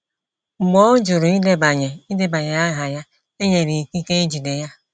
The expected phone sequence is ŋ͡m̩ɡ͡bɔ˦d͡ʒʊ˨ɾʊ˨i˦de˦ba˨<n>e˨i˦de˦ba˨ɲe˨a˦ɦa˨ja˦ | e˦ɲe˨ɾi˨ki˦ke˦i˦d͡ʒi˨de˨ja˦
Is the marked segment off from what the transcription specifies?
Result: yes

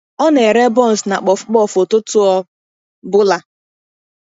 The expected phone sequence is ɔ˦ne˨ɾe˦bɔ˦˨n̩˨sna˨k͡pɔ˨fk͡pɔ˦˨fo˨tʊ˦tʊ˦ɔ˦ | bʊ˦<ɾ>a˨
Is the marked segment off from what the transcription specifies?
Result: yes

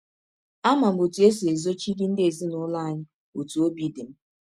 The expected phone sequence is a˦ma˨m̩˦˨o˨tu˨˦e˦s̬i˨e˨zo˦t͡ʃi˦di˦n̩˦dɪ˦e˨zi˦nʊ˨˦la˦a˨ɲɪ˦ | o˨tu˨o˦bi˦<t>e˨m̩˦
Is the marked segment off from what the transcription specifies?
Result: yes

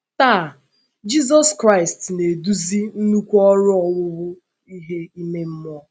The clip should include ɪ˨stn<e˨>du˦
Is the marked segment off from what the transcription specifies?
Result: no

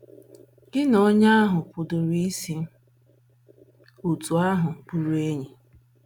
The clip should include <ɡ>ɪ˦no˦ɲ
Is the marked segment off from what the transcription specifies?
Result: no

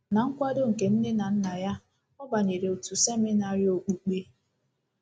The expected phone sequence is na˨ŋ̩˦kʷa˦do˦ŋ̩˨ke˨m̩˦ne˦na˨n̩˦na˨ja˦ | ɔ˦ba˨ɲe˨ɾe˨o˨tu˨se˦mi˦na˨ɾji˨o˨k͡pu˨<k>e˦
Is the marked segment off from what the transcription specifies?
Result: yes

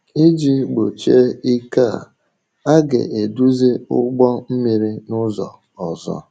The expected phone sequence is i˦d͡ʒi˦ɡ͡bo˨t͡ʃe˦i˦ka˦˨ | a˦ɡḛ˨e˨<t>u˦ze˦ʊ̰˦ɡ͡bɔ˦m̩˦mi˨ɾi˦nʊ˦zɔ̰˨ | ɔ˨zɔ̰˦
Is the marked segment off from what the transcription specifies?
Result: yes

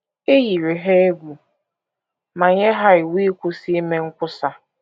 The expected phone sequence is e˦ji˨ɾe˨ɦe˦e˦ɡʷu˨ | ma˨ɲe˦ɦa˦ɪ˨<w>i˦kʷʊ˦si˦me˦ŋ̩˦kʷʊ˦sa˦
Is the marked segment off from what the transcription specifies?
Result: no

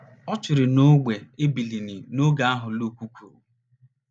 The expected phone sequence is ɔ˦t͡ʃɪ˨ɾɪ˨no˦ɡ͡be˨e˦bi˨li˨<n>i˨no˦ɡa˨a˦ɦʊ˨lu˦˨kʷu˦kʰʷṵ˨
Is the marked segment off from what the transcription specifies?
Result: no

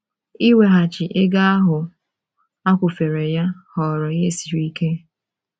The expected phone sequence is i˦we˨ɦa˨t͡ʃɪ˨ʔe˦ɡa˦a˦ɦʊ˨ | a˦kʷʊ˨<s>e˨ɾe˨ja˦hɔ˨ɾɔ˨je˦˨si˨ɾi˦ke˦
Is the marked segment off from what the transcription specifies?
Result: yes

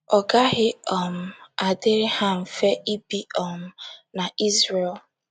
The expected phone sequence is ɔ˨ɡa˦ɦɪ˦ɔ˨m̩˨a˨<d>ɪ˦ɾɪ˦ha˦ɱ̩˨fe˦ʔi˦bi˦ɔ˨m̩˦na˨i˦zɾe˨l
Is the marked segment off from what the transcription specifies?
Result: no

